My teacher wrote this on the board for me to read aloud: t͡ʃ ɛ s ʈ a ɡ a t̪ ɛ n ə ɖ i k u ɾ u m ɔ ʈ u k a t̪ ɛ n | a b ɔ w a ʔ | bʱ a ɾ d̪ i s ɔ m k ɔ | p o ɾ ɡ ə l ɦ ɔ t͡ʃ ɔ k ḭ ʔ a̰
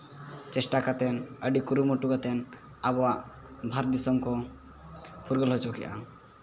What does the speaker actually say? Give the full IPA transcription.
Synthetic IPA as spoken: t͡ʃ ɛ s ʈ a k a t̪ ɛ n ə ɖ i k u ɾ u m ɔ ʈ u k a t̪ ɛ n | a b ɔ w a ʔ | bʱ a ɾ d̪ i s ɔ m k ɔ | p u ɾ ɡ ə l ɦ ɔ t͡ʃ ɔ k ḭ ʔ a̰